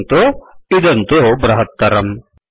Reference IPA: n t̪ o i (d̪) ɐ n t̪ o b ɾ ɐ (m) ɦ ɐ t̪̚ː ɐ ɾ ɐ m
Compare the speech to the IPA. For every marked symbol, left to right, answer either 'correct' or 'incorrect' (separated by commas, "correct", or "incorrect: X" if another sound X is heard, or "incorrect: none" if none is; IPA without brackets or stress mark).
correct, incorrect: none